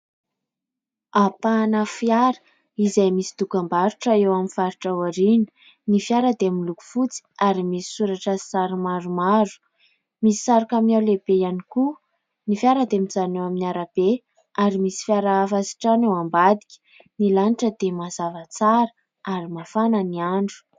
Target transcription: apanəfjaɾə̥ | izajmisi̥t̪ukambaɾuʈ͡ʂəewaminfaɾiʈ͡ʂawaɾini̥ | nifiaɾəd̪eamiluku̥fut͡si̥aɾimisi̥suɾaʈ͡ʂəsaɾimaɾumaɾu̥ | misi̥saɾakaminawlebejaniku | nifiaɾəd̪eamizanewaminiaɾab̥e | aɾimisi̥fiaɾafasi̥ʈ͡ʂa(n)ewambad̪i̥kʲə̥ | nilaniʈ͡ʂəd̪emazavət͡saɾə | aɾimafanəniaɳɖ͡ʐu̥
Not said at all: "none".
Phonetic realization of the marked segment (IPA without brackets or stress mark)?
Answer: n